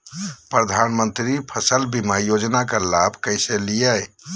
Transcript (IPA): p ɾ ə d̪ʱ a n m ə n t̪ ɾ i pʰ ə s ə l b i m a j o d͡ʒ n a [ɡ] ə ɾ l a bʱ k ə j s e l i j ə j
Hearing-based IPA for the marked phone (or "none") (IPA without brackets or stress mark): k